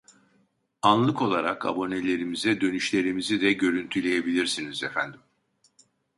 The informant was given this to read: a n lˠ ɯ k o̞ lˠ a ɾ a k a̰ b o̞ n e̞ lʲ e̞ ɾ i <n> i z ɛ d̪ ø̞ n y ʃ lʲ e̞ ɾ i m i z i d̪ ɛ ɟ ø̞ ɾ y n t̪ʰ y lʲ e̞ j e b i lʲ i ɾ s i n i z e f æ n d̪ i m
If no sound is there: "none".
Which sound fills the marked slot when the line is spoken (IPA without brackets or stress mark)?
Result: m